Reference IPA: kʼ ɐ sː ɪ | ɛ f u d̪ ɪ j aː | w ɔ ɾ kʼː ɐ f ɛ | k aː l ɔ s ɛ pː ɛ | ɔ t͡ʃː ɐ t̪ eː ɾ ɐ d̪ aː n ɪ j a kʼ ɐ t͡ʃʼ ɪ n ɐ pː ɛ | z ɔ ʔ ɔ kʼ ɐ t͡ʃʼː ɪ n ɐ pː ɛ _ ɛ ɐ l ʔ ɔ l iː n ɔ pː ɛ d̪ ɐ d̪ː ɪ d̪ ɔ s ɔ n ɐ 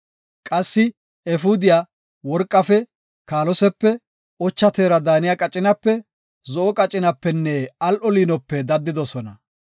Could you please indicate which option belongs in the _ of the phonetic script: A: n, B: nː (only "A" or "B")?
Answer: B